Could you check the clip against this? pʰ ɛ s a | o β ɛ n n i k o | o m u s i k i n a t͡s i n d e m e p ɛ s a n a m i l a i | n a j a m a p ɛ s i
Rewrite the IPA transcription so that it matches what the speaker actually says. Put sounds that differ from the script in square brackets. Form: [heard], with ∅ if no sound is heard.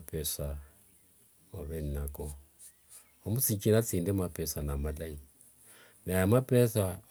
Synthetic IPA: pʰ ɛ s a | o β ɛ n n [a] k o | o m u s i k i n a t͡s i n d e m [a] p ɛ s a n a m [a] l a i | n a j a m a p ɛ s [a]